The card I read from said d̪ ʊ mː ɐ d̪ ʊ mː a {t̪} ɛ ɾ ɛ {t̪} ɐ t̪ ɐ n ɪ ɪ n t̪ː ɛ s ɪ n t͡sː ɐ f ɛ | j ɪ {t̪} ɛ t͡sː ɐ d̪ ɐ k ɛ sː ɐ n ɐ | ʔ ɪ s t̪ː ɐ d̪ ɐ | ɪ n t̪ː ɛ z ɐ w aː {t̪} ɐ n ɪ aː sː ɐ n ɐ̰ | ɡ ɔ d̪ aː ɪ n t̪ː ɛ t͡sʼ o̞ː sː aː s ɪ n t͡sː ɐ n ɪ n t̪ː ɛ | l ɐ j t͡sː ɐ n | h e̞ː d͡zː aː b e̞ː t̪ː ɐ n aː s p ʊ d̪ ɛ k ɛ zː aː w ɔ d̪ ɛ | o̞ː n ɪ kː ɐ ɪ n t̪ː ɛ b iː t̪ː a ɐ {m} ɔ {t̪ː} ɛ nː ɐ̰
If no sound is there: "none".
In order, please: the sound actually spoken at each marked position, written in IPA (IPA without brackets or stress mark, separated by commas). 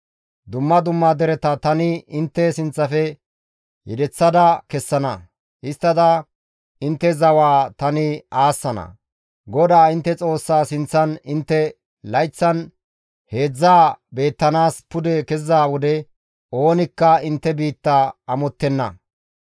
d̪, t̪, d̪, t̪, m, t̪ː